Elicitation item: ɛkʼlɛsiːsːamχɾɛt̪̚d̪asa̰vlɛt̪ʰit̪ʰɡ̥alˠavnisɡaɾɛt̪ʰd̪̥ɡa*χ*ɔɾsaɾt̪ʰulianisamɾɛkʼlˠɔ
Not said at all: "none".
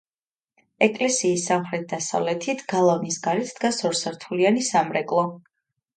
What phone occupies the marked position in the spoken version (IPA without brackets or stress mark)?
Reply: s